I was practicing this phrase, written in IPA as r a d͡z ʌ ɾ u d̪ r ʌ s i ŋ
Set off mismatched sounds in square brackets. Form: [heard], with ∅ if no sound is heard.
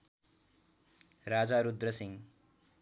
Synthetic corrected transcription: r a d͡z [a] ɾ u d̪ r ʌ s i ŋ